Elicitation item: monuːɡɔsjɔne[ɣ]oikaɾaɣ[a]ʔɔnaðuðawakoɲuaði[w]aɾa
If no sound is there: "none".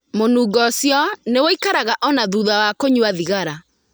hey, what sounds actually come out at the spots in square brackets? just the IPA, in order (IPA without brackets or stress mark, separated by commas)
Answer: w, a, ɣ